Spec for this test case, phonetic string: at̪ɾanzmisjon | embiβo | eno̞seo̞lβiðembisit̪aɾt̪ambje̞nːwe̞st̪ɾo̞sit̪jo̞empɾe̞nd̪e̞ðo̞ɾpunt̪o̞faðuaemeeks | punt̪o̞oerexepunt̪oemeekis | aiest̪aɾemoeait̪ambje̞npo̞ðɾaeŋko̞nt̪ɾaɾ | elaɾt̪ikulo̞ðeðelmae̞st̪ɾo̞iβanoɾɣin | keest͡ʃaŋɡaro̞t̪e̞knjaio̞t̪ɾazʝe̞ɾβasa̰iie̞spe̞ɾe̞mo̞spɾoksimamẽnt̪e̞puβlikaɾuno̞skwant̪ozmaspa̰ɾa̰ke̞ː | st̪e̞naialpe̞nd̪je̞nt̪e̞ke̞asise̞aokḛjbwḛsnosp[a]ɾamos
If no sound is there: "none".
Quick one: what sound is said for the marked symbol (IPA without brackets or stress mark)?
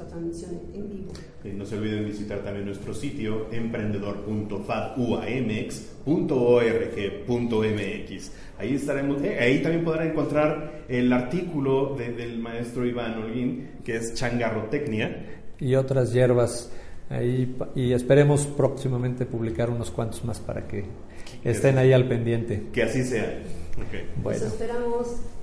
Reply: e